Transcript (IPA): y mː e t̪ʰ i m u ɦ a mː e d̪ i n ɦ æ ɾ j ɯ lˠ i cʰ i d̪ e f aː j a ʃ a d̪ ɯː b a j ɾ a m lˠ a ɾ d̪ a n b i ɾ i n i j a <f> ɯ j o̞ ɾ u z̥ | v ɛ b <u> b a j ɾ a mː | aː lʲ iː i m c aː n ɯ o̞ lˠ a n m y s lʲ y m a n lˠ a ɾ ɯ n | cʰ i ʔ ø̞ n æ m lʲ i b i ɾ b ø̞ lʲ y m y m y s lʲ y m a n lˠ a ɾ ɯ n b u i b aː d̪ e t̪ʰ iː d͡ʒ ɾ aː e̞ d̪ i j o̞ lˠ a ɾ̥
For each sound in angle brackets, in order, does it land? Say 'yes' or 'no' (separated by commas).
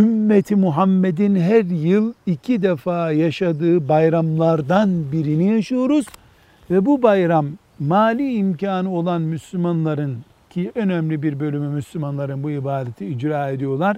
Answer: no, yes